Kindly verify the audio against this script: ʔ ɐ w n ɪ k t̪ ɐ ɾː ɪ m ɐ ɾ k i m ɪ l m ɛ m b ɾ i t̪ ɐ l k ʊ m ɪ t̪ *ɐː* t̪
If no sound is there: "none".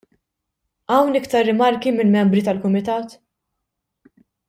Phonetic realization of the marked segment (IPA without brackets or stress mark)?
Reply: ɐː